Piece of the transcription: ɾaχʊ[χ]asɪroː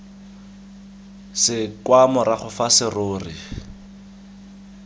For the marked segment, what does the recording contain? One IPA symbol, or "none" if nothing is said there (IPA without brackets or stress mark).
f